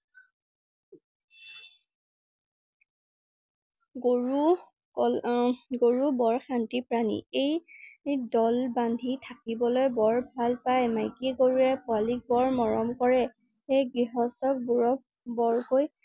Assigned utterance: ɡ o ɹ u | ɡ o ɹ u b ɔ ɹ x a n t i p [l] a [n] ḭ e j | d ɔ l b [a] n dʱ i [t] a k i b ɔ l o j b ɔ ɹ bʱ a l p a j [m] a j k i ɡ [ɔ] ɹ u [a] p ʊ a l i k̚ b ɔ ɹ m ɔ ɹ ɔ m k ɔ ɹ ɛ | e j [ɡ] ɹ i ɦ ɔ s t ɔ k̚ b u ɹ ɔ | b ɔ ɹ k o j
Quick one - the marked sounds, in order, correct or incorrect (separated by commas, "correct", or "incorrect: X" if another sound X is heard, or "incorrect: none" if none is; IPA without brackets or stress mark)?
incorrect: ɹ, correct, correct, incorrect: tʰ, correct, incorrect: o, incorrect: ɛ, correct